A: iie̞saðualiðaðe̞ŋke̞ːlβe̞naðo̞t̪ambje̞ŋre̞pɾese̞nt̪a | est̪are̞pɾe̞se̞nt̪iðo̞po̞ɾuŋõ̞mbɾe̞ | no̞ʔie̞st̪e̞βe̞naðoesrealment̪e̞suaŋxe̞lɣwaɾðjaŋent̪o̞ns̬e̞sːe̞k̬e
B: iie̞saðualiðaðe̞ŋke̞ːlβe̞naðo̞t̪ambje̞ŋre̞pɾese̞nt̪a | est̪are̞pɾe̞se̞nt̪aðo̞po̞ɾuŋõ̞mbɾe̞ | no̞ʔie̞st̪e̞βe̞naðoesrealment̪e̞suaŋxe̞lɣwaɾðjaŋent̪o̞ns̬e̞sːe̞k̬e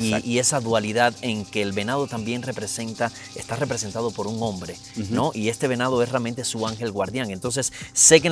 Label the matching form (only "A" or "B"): B